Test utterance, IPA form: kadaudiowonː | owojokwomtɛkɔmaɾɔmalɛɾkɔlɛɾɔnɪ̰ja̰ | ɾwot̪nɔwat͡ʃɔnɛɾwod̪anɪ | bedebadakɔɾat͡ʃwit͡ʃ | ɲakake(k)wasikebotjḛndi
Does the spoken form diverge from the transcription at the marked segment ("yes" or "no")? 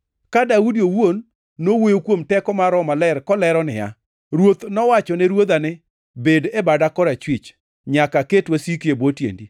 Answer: yes